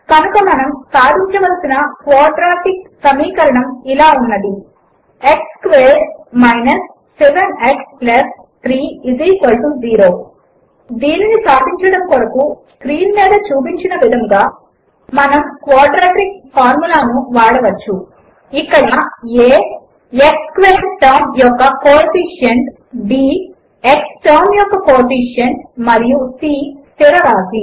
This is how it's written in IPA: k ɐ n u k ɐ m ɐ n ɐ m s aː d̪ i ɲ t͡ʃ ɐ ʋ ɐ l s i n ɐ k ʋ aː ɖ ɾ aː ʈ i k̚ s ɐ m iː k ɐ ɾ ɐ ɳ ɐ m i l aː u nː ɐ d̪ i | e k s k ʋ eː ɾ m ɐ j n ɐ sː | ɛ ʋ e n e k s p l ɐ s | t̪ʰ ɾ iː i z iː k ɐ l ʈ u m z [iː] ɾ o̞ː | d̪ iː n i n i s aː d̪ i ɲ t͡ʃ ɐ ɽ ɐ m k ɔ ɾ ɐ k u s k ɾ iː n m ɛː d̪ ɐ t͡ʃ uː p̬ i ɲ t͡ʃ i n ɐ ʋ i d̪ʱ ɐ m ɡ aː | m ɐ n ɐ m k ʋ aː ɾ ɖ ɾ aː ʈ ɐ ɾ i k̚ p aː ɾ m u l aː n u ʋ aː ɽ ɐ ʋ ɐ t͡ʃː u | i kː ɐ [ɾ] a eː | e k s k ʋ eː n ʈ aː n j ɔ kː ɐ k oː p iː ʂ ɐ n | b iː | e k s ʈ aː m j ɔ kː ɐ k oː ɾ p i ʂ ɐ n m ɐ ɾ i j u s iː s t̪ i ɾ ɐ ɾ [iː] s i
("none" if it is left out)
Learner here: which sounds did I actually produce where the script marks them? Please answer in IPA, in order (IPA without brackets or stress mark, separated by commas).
iː, ɽ, aː